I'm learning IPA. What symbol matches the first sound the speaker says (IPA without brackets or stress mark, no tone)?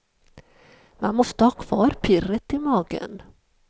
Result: m